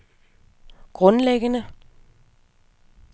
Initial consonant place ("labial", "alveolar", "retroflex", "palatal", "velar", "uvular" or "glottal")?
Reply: velar